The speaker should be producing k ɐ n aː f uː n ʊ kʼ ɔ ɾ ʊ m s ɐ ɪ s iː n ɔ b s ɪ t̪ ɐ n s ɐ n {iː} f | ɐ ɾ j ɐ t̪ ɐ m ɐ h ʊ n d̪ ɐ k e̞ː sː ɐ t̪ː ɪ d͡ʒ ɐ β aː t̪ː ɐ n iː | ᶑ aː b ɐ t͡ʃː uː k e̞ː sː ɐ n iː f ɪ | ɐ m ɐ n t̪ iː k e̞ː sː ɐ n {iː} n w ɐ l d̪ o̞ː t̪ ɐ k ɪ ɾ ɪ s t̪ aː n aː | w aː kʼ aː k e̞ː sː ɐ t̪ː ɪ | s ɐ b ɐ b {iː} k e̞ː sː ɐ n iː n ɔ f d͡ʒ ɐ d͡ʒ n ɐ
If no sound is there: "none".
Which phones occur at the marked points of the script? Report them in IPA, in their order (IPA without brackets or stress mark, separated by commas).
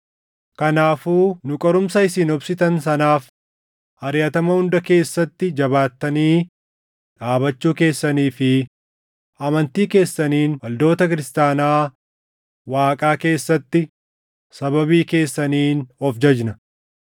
aː, iː, iː